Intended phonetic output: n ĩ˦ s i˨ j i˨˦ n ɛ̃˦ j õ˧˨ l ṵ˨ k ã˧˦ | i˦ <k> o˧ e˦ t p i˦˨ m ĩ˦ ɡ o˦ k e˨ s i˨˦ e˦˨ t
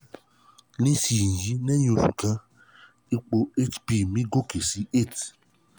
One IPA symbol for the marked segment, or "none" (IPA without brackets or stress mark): k͡p